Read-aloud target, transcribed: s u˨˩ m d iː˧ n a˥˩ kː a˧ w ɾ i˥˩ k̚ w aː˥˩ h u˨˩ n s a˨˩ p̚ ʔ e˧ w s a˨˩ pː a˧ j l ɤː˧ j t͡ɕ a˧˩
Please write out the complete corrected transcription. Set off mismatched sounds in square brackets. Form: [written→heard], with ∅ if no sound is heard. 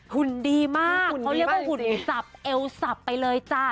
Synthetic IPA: [s→h] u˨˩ [m→n] d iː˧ [n→m] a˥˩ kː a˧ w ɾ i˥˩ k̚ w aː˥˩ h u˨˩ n s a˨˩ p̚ ʔ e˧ w s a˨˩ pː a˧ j l ɤː˧ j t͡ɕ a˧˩